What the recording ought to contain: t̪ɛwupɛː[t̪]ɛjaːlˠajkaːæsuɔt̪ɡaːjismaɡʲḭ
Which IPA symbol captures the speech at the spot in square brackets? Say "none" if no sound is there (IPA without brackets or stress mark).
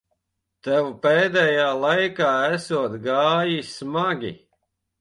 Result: d̪